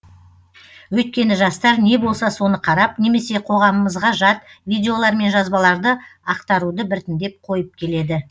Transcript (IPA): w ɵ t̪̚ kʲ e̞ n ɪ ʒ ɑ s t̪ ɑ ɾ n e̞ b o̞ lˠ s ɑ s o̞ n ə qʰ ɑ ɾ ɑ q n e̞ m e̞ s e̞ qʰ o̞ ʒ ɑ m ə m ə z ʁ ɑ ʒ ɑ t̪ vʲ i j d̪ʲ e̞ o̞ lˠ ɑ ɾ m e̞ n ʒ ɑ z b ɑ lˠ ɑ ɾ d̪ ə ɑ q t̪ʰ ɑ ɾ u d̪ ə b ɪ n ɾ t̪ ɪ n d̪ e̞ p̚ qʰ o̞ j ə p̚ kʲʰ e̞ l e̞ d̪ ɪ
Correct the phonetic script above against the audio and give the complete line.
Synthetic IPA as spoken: w ɵ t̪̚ kʲ e̞ n ɪ ʒ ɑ s t̪ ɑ ɾ n e̞ b o̞ lˠ s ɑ s o̞ n ə qʰ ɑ ɾ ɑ p n e̞ m e̞ s e̞ qʰ o̞ ʁ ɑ m ə m ə z ʁ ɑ ʒ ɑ t̪ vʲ i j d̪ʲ e̞ o̞ lˠ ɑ ɾ m e̞ n ʒ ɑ z b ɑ lˠ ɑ ɾ d̪ ə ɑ q t̪ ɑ ɾ u d̪ ə b ɪ ɾ t̪ ɪ n d̪ e̞ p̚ qʰ o̞ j ə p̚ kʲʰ e̞ l e̞ d̪ ɪ